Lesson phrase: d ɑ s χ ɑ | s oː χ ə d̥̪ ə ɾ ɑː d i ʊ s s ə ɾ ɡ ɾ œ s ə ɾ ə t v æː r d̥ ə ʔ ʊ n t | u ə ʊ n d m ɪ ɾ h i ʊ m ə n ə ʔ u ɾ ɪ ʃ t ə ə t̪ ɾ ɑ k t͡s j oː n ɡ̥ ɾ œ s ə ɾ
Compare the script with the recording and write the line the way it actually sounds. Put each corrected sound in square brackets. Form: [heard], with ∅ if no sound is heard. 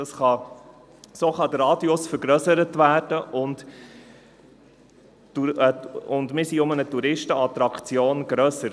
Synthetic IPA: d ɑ s χ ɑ | s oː χ [ɑ] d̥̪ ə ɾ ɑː d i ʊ s [f] ə ɾ ɡ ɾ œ s ə ɾ ə t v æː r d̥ ə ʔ ʊ n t | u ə ʊ n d m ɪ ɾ [s] i ʊ m ə n ə [t] u ɾ ɪ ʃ t ə [ɑ] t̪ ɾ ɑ k t͡s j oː n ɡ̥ ɾ œ s ə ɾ

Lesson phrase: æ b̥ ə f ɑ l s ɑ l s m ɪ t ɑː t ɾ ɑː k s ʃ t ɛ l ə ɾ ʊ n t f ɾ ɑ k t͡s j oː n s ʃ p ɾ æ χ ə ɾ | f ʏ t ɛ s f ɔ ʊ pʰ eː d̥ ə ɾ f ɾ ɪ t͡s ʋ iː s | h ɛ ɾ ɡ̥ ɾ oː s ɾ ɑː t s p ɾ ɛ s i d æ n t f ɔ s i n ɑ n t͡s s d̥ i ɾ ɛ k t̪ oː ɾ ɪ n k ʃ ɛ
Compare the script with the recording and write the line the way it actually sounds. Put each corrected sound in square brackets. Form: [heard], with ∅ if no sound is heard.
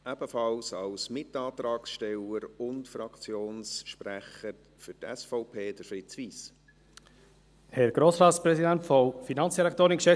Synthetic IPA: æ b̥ ə f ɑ l s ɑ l s m ɪ t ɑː t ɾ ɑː k s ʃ t ɛ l ə ɾ ʊ n t f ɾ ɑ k t͡s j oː n s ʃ p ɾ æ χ ə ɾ | f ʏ t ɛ s f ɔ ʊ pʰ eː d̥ ə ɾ f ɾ ɪ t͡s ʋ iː s | h ɛ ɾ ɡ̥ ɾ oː s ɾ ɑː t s p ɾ ɛ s i d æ n t f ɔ [f] i n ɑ n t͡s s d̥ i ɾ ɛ k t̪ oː ɾ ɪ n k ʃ ɛ

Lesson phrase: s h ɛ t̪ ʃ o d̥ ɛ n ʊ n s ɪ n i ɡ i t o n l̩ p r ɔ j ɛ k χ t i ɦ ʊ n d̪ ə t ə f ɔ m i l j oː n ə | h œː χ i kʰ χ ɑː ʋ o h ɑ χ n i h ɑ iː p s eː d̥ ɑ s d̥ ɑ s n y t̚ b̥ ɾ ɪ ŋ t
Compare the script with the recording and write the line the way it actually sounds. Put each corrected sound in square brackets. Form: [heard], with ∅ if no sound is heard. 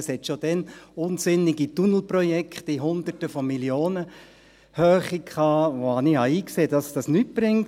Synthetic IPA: s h ɛ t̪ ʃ o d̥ ɛ n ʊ n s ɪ n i ɡ i t [u] n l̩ p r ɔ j ɛ k χ t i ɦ ʊ n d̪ ə t ə f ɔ m i l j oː n ə | h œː χ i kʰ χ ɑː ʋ o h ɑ [∅] n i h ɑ iː [k] s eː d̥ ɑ s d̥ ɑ s n y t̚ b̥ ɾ ɪ ŋ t

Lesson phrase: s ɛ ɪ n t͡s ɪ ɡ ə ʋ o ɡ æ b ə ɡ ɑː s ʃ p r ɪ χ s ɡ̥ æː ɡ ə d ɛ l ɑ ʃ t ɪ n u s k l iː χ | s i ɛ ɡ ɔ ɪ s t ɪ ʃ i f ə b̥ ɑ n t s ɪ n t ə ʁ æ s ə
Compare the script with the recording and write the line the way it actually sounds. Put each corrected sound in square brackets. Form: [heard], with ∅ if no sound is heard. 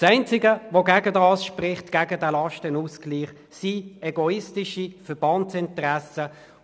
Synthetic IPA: s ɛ ɪ n t͡s ɪ ɡ ə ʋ o ɡ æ [ɡ] ə [d] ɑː s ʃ p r ɪ χ [t] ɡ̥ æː ɡ ə d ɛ l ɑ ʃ t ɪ n u s k l iː χ | s i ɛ ɡ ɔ ɪ s t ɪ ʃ i f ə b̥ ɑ n t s ɪ n t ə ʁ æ s ə

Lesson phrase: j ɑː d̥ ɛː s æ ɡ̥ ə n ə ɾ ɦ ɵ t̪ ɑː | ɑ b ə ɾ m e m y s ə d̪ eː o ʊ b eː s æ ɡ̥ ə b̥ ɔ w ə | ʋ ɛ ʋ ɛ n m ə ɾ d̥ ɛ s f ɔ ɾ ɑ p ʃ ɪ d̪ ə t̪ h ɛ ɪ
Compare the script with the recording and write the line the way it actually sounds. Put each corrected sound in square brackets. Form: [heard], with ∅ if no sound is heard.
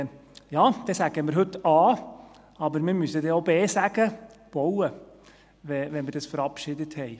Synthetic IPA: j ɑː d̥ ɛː s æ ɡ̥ ə [m] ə ɾ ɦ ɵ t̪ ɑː | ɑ b ə ɾ m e m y s ə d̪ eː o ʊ b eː s æ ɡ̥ ə b̥ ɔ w ə | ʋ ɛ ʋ ɛ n m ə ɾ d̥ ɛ s f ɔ ɾ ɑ p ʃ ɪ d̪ ə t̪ h ɛ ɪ

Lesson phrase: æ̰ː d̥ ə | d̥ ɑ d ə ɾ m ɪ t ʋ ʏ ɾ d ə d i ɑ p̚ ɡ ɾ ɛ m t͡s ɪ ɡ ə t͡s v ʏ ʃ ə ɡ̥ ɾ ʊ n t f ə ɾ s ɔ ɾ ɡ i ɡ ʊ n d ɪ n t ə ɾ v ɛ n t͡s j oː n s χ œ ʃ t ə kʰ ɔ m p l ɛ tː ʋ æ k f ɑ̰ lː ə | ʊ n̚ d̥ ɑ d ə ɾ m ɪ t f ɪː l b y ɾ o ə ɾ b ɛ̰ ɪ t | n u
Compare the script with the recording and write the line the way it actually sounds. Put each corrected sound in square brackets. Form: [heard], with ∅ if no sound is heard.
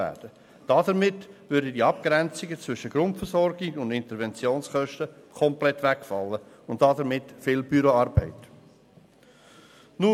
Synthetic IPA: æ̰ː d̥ ə | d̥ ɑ d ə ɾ m ɪ t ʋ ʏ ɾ d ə d i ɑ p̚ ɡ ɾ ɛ [n] t͡s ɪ ɡ ə t͡s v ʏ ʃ ə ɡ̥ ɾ ʊ n t f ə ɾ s ɔ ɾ ɡ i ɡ ʊ n d ɪ n t ə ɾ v ɛ n t͡s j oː n s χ œ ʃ t ə kʰ ɔ m p l ɛ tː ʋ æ k f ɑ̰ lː ə | ʊ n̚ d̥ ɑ d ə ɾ m ɪ t f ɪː l b y ɾ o [ɑ] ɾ b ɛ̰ ɪ t | n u

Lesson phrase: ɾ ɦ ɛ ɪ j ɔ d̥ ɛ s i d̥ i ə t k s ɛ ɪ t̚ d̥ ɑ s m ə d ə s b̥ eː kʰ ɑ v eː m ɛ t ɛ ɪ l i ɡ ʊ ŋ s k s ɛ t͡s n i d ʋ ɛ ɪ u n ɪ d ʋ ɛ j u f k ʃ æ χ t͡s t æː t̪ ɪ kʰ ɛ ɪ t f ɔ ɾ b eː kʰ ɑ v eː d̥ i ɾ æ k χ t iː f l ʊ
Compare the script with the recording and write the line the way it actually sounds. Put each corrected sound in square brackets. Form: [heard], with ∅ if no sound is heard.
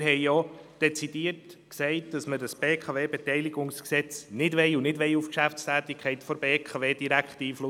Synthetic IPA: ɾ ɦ ɛ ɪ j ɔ d̥ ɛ [t͡s] i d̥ i ə t k s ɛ ɪ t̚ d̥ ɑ s m ə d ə s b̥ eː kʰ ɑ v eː [b] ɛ t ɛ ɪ l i ɡ ʊ ŋ s k s ɛ t͡s n [ɪ] d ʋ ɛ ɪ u n ɪ d ʋ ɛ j u f k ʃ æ [f] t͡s t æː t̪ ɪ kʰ ɛ ɪ t f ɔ ɾ b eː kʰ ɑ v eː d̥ i ɾ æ k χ t iː f l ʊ

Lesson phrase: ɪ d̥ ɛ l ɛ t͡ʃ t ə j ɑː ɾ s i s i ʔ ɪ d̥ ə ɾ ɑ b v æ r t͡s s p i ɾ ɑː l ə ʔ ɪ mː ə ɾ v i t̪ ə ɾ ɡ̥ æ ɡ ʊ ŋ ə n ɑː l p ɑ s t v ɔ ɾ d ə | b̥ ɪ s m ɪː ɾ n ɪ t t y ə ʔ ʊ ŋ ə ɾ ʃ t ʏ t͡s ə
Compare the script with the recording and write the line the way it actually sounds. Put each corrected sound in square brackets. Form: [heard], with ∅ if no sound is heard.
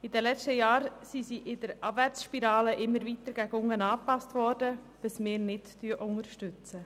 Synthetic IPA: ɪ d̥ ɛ l ɛ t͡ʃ t ə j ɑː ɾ s i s i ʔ ɪ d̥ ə ɾ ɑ b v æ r t͡s [ʃ] p i ɾ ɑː l ə ʔ ɪ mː ə ɾ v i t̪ ə ɾ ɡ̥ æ ɡ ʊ ŋ ə n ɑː [∅] p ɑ s t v ɔ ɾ d ə | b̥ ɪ s m ɪː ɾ n ɪ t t y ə ʔ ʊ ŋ ə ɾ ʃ t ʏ t͡s ə

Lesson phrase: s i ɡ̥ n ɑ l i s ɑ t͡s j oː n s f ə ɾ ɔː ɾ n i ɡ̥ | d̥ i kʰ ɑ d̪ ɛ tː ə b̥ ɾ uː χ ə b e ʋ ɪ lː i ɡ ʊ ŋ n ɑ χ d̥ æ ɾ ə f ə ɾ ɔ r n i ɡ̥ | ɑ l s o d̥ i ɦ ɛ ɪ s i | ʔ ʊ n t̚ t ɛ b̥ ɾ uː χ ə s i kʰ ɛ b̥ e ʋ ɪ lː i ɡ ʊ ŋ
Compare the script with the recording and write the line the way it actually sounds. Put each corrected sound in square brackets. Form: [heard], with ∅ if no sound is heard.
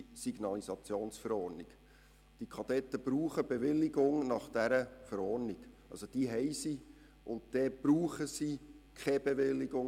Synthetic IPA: s i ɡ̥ n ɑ l i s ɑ t͡s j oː n s f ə ɾ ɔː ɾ n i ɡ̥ | d̥ i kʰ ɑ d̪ ɛ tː ə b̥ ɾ uː χ ə b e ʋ ɪ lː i ɡ ʊ ŋ n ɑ χ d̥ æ ɾ ə f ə ɾ ɔ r n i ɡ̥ | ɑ l s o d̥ i ɦ ɛ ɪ s i | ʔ ʊ n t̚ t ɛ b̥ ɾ uː χ ə s i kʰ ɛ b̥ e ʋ ɪ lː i ɡ ʊ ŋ

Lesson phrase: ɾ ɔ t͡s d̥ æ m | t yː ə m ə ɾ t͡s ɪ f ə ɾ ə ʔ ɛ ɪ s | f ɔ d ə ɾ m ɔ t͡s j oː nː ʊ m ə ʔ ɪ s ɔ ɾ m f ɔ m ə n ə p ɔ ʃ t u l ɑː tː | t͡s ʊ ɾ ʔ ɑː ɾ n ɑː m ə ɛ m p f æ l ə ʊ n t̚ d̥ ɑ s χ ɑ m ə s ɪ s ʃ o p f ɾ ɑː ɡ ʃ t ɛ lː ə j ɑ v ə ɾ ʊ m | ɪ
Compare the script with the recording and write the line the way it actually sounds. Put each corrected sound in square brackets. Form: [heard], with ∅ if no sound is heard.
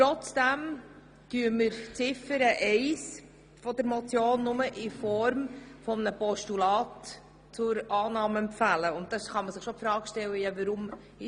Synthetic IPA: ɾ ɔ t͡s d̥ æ m | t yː ə m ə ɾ t͡s ɪ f ə ɾ ə ʔ ɛ ɪ s | f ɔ d ə ɾ m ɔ t͡s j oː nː ʊ m ə ʔ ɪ [f] ɔ ɾ m f ɔ m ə n ə p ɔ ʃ t u l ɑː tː | t͡s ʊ ɾ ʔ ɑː [∅] n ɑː m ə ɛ m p f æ l ə ʊ n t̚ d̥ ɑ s χ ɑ m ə s ɪ [χ] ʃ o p f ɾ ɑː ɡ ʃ t ɛ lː ə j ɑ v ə ɾ ʊ m | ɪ

